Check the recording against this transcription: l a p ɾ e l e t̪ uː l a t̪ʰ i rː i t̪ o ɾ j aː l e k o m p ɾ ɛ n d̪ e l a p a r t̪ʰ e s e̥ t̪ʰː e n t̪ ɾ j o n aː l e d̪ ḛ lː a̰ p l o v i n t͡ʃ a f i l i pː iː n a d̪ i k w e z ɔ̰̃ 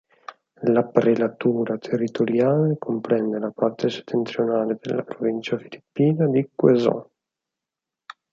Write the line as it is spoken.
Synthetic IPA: l a p ɾ e l a t̪ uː ɾ a t̪ʰ e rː i t̪ o ɾ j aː l e k o m p ɾ ɛ n d̪ e l a p a r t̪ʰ e s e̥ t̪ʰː e n t̪ ɾ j o n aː l e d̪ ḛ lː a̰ p ɾ o v i n t͡ʃ a f i l i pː iː n a d̪ i k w e z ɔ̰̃